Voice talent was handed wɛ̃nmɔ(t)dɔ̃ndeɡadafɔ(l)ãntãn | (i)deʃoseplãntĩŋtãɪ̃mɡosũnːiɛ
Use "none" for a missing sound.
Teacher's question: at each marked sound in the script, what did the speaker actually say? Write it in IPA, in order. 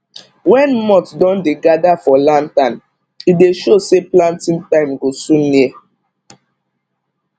t, l, i

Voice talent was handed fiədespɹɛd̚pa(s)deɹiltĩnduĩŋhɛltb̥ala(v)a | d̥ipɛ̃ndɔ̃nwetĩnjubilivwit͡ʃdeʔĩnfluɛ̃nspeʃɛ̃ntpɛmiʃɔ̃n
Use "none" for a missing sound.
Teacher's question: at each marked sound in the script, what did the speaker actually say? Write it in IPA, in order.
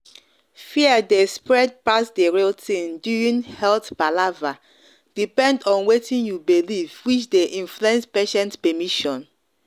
s, v

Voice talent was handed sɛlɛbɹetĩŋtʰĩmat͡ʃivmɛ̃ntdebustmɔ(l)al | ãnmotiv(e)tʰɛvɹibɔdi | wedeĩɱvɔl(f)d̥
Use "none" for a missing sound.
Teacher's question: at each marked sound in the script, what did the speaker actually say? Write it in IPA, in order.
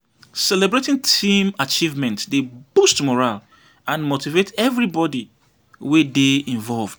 ɹ, e, v

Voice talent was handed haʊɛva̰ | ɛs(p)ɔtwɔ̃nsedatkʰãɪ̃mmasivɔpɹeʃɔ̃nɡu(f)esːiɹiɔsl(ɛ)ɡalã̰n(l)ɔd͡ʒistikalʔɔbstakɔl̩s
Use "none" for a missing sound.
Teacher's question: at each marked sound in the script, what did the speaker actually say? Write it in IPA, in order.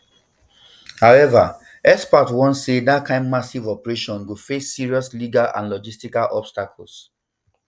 p, f, i, l

